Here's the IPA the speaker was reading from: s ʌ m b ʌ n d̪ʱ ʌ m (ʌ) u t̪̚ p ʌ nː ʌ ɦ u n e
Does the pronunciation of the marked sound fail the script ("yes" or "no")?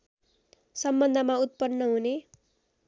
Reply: yes